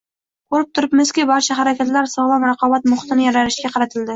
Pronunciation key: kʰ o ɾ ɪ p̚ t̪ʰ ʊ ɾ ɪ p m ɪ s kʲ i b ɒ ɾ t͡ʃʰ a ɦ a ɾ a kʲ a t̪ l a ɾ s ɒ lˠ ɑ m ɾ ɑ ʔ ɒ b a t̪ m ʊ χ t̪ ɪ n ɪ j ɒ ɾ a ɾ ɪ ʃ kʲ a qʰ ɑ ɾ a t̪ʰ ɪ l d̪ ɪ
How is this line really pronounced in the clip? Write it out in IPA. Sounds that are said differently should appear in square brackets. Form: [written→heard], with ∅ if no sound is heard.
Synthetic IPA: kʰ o ɾ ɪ p̚ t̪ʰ ʊ ɾ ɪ p m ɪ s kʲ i b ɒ ɾ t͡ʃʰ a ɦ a ɾ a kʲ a t̪ l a ɾ s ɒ lˠ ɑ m ɾ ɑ [ʔ→q] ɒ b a t̪ m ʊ χ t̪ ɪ n ɪ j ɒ ɾ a ɾ ɪ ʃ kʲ a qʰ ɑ ɾ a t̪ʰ ɪ l d̪ ɪ